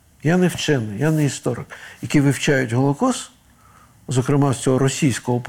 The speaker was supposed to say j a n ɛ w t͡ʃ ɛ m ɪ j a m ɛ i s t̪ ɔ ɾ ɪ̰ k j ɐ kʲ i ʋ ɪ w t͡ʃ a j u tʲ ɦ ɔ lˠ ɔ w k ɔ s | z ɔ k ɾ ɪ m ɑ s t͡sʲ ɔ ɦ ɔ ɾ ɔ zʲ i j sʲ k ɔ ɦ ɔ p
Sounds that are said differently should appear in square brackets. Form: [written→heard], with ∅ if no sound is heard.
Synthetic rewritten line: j a n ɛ w t͡ʃ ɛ [m→n] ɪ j a [m→n] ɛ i s t̪ ɔ ɾ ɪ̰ k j ɐ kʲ i ʋ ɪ w t͡ʃ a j [u→ʊ] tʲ ɦ ɔ lˠ ɔ [w→∅] k ɔ s | z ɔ k ɾ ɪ m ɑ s t͡sʲ ɔ ɦ ɔ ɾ ɔ [zʲ→sʲ] i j sʲ k ɔ ɦ ɔ p